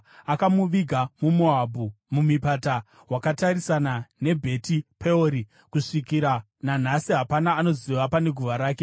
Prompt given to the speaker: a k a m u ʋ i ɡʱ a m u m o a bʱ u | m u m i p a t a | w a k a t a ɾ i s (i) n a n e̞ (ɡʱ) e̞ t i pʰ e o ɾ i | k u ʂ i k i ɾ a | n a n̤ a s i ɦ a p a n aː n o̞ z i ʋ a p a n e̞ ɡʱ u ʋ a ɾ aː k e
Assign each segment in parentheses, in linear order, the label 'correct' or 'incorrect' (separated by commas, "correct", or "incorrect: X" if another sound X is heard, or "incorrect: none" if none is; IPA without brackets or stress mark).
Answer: incorrect: a, incorrect: bʱ